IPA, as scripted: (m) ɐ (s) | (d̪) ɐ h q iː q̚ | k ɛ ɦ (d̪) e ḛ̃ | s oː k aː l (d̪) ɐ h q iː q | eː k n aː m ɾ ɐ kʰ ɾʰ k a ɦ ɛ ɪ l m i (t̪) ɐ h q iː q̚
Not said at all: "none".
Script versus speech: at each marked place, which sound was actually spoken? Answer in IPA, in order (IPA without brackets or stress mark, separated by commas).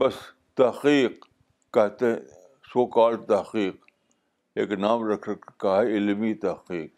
b, s, t̪, t̪, t̪, t̪